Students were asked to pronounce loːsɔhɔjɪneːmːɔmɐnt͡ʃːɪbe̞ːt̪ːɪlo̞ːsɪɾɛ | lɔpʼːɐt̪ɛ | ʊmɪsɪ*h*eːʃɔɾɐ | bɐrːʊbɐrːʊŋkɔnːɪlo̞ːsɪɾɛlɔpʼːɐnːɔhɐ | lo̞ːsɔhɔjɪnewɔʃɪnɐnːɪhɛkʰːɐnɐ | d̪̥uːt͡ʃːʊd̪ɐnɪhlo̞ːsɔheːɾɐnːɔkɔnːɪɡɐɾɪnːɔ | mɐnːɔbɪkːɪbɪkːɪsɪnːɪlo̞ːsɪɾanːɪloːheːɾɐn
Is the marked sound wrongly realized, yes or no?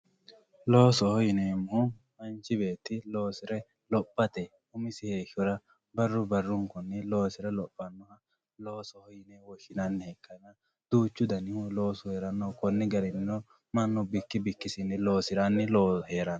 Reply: no